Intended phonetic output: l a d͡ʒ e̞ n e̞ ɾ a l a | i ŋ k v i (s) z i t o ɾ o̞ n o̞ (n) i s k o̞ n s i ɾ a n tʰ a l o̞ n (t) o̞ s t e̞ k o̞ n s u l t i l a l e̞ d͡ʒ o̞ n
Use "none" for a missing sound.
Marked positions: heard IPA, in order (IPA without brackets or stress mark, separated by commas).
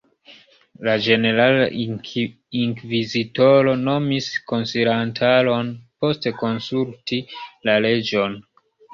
none, m, p